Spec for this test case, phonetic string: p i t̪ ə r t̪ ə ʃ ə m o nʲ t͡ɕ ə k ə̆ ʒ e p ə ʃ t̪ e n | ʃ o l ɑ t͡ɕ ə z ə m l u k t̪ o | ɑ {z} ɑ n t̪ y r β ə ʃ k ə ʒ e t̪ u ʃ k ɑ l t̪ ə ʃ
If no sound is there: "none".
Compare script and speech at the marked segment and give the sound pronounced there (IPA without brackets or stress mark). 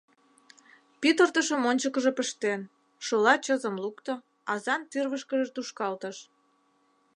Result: z